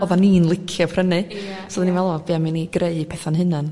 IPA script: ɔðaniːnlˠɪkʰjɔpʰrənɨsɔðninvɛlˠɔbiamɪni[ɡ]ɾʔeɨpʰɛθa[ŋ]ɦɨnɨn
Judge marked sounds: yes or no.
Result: yes, no

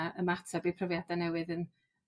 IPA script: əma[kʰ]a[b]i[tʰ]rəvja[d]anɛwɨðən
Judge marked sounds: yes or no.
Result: no, yes, no, yes

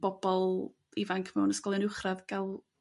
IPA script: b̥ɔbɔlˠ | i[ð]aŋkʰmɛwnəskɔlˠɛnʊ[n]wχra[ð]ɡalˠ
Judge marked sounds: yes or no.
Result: no, no, yes

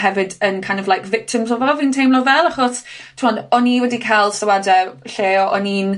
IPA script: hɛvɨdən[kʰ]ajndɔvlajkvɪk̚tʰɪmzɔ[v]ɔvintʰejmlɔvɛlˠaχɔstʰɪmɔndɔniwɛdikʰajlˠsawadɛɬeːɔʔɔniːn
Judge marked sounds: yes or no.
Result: yes, yes

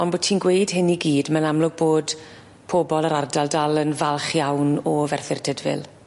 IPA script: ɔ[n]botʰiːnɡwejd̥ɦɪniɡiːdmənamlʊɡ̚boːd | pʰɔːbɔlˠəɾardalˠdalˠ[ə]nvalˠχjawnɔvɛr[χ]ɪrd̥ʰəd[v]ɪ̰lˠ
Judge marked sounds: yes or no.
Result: yes, yes, no, yes

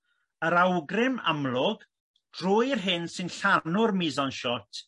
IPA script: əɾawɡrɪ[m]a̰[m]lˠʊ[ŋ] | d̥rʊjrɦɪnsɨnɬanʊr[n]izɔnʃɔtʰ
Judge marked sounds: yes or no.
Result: yes, yes, no, no

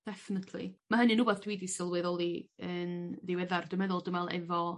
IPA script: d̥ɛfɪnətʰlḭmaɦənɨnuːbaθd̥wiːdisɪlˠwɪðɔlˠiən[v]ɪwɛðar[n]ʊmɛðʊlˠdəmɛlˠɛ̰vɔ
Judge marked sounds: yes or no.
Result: no, no

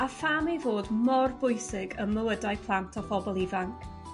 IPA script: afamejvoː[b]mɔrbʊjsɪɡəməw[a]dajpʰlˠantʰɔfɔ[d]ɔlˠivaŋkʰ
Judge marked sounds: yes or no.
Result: no, no, no

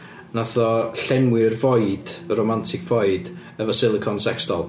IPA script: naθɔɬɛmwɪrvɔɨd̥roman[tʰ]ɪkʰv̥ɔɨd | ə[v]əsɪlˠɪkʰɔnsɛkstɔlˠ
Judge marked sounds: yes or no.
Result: yes, yes

